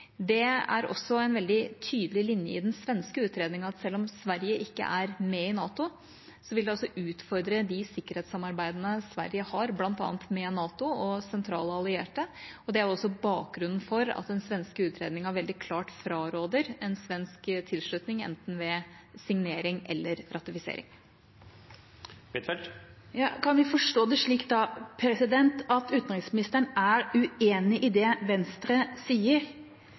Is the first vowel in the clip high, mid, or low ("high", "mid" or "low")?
mid